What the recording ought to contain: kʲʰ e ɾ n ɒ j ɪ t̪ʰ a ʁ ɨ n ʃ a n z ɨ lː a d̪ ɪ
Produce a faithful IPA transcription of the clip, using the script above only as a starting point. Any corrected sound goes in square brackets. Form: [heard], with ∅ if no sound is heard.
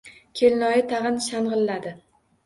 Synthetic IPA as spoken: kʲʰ e [l] n ɒ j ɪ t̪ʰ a ʁ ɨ n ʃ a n [ʁ] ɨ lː a d̪ ɪ